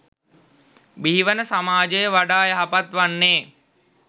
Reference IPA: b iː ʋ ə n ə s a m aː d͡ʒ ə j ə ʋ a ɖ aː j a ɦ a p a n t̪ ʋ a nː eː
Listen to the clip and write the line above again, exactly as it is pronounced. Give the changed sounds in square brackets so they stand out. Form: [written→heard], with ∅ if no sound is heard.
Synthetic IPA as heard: b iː ʋ ə n ə s a m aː d͡ʒ ə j ə ʋ a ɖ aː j [a→ə] ɦ a p a [n→∅] t̪ ʋ a nː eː